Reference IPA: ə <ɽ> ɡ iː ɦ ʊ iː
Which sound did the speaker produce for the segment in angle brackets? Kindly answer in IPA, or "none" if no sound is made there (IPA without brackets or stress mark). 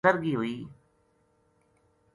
ɾ